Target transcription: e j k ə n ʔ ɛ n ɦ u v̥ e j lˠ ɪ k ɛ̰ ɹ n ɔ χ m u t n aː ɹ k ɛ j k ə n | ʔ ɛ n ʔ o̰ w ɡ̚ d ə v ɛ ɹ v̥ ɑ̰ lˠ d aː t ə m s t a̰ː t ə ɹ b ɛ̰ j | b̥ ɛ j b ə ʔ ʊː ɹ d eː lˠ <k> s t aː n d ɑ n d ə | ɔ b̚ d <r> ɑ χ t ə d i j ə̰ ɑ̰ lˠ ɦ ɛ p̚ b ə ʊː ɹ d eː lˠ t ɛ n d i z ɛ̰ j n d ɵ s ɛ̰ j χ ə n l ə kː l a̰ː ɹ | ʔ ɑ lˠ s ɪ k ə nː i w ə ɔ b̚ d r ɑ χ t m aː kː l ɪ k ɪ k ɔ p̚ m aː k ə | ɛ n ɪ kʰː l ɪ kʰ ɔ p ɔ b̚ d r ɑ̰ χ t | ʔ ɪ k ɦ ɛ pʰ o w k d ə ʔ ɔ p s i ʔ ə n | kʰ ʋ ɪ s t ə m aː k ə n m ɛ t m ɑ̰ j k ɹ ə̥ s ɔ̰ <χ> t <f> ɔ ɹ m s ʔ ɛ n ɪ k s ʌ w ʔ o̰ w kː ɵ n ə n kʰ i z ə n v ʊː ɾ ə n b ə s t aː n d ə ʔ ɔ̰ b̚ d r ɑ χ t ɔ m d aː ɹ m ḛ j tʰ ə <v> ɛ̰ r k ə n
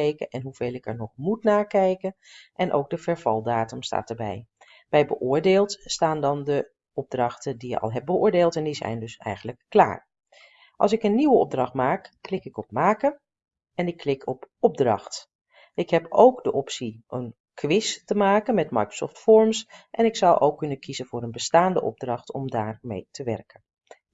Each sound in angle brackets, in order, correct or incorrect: incorrect: t, correct, incorrect: f, correct, incorrect: ʋ

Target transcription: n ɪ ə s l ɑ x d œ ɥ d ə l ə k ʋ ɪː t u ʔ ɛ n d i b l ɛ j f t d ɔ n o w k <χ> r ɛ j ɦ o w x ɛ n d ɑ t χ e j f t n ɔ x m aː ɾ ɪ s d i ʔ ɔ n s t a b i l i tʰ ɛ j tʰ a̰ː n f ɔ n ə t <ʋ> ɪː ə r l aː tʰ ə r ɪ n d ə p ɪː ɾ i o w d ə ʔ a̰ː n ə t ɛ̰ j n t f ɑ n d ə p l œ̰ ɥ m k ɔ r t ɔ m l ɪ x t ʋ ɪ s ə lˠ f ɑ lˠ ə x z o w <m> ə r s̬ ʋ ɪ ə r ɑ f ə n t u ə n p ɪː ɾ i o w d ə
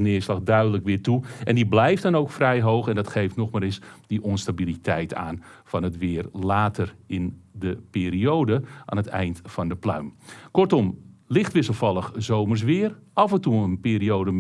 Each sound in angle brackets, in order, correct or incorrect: incorrect: f, correct, correct

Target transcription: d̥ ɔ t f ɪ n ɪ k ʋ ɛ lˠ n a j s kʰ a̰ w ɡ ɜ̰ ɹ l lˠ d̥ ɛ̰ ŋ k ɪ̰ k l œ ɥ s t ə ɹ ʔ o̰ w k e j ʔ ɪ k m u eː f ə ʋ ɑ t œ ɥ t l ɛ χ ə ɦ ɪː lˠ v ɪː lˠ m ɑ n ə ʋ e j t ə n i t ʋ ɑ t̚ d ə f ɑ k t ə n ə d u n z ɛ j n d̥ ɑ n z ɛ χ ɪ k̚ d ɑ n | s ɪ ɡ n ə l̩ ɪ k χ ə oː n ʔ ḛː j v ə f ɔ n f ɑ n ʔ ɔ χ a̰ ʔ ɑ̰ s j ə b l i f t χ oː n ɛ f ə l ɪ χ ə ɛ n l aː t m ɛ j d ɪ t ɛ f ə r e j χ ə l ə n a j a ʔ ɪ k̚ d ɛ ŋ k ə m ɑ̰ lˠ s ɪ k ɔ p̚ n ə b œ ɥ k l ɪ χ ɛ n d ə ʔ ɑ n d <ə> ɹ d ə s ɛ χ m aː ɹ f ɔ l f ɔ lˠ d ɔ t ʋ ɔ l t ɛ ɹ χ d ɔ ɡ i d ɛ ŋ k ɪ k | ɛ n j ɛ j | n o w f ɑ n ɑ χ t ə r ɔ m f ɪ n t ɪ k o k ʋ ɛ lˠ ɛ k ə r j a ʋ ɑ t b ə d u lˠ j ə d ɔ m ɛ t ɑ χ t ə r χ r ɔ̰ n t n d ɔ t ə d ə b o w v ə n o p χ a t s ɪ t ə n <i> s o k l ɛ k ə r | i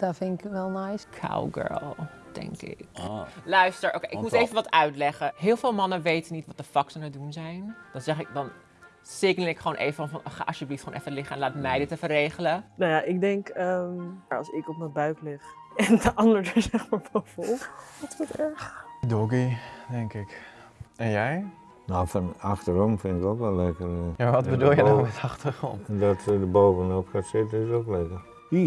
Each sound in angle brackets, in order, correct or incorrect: correct, incorrect: ɪ

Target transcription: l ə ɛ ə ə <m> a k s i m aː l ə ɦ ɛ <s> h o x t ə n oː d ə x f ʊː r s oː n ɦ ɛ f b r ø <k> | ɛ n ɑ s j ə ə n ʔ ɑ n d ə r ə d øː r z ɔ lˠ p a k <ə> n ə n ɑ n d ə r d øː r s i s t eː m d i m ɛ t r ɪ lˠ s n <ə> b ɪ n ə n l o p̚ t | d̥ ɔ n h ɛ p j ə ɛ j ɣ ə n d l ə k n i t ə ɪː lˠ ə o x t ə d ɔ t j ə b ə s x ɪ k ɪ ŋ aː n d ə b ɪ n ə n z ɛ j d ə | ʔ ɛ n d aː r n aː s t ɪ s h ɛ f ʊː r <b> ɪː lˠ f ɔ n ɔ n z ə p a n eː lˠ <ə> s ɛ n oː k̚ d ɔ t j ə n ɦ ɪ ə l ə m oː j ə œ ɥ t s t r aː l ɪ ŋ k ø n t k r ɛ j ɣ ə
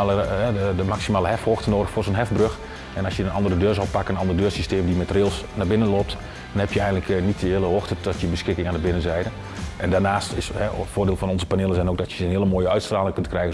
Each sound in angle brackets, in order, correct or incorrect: correct, incorrect: f, incorrect: x, correct, incorrect: a, incorrect: d, correct

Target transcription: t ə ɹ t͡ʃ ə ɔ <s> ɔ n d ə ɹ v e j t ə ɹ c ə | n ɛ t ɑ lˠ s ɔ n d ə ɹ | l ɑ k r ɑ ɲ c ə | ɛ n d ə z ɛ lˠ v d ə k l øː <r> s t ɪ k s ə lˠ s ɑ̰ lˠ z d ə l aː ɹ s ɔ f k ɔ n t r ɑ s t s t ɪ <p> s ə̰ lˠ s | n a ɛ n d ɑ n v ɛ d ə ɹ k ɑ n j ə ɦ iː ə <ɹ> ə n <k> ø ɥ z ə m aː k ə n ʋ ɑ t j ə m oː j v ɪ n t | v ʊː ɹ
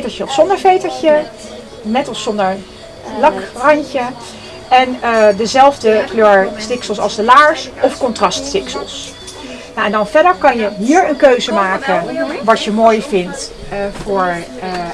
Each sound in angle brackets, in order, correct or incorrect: correct, incorrect: ɹ, incorrect: k, correct, correct

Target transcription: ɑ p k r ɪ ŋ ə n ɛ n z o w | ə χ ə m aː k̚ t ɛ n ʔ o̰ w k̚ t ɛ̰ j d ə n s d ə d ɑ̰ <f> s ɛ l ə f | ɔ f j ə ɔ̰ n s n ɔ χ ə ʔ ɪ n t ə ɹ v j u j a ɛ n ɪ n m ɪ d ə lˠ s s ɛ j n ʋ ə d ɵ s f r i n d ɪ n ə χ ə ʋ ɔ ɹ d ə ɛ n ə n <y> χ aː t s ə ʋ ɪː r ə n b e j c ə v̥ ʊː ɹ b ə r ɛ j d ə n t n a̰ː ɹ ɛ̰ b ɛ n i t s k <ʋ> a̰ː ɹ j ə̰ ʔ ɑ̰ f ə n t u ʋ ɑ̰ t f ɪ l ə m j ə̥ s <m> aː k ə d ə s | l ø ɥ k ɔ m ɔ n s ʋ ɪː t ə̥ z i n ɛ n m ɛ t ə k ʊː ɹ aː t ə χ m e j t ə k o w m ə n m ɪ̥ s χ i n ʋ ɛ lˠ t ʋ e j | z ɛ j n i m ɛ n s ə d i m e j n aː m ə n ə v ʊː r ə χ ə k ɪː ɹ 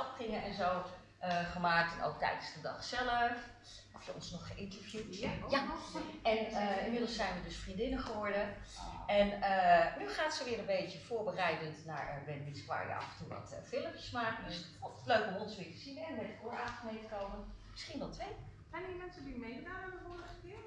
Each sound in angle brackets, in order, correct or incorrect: incorrect: χ, correct, correct, correct

